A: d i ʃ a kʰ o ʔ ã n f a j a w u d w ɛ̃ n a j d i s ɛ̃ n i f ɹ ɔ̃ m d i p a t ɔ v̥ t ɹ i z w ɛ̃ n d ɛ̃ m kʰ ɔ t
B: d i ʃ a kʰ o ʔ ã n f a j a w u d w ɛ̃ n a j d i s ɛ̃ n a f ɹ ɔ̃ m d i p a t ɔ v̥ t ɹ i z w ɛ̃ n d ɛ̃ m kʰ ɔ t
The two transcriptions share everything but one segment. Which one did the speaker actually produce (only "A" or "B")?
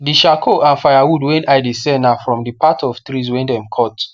B